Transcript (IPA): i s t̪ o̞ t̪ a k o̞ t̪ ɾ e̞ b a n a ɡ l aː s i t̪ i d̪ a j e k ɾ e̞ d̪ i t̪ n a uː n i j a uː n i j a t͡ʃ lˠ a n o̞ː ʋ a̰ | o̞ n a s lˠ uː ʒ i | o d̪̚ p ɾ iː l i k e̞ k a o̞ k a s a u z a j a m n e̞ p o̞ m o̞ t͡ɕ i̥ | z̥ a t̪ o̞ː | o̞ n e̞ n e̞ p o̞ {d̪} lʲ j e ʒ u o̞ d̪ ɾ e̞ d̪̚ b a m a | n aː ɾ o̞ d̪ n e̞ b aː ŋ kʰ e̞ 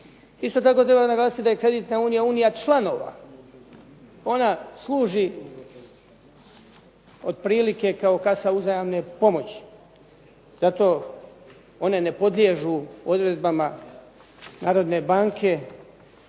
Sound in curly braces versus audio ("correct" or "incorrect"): correct